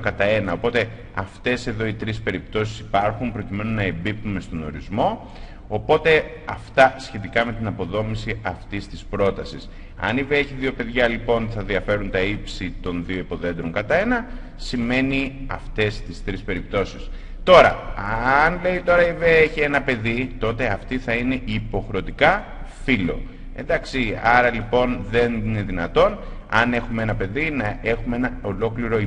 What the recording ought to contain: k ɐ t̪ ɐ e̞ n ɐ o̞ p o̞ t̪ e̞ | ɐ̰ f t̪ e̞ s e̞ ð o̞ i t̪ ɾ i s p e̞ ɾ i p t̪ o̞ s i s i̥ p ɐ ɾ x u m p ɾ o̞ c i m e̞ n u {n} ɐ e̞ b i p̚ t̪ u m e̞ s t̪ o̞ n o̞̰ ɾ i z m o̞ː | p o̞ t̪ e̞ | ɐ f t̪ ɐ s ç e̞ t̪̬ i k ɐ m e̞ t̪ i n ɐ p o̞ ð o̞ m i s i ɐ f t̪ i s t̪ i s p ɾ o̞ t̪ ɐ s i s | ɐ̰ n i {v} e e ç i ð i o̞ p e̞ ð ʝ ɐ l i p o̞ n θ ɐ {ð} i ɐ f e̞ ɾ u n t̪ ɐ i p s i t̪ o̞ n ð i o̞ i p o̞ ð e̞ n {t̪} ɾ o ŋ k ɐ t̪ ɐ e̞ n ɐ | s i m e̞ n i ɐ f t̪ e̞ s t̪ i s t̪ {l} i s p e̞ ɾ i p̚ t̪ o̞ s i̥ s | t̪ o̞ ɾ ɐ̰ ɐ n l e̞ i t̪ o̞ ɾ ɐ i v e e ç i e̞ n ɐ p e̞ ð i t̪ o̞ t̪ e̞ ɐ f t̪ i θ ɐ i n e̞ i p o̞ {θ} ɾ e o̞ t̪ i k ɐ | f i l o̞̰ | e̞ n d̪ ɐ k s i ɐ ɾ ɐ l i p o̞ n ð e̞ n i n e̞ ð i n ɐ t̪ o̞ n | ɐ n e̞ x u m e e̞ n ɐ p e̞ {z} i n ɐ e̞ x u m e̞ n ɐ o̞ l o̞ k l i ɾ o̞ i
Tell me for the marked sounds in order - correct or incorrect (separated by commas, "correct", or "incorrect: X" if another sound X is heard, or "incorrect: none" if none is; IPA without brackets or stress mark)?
correct, correct, correct, incorrect: d̪, incorrect: ɾ, incorrect: x, incorrect: ð